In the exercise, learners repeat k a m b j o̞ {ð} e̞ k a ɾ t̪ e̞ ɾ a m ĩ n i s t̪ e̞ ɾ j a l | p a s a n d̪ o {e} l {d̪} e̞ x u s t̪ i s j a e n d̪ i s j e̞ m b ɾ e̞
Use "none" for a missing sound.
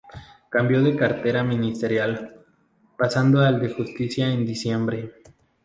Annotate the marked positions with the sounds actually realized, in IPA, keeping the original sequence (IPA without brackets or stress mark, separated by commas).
ð, a, d̪